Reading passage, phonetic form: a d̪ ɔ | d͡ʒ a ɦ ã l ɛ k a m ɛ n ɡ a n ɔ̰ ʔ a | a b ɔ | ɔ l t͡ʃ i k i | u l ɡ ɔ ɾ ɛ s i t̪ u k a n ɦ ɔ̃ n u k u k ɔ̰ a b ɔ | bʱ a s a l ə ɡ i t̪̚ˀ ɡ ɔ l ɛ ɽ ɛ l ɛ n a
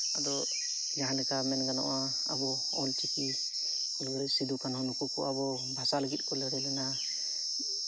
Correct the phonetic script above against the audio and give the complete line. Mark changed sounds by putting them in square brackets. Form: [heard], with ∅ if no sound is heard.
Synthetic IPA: a d̪ ɔ | d͡ʒ a ɦ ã l ɛ k a m ɛ n ɡ a n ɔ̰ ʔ a | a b ɔ | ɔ l t͡ʃ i k i | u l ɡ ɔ ɾ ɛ s i [d̪] u k a n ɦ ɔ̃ n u k u k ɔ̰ a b ɔ | bʱ a s a l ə ɡ i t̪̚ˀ [k] ɔ l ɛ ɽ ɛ l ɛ n a